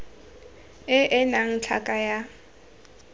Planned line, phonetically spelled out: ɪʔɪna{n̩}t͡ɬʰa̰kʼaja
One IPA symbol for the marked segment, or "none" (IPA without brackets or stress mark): ŋ̩